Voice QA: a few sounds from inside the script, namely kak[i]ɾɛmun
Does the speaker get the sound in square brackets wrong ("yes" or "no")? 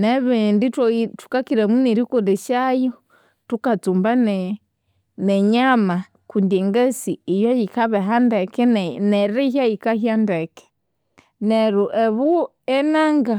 no